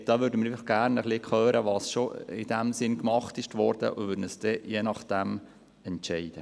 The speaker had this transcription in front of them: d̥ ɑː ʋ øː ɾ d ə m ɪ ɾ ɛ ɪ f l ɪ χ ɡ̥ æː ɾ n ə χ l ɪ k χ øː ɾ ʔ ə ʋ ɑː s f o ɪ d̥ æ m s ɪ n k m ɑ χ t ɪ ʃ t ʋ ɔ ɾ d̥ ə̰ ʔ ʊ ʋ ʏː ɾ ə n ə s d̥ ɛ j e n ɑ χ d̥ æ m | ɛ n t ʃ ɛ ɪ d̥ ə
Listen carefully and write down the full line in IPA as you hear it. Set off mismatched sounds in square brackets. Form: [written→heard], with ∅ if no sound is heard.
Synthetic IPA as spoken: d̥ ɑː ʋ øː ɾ d ə m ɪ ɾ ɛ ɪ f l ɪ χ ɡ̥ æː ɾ n ə χ l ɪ k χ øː ɾ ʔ ə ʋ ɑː s [f→ʃ] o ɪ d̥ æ m s ɪ n k m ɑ χ t ɪ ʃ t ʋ ɔ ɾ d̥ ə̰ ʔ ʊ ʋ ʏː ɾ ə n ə s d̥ ɛ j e n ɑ χ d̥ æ m | ɛ n t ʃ ɛ ɪ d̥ ə